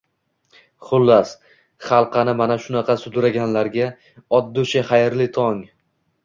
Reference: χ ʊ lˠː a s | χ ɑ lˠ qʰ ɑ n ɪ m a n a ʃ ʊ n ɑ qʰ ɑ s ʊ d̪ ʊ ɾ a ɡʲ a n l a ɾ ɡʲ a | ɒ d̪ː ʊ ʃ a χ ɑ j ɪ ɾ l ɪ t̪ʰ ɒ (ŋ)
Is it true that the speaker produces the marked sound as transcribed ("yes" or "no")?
yes